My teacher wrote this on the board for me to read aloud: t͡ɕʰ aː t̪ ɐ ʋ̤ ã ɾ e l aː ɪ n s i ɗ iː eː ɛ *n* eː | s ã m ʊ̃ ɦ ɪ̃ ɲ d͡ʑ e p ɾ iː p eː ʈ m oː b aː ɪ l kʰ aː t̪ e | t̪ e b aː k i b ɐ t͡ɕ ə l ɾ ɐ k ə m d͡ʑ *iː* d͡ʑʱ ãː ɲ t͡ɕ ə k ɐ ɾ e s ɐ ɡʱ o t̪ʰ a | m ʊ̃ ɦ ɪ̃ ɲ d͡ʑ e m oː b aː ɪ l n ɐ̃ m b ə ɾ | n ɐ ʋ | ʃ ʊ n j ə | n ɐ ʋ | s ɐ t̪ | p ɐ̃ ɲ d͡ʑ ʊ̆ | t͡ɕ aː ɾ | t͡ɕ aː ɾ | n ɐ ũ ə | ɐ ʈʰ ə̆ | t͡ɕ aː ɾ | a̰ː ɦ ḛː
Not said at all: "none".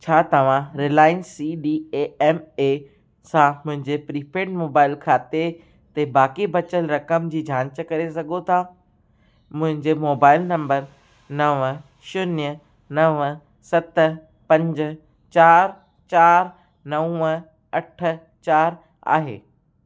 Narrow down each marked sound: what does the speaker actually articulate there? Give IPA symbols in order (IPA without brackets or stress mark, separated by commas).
m, iː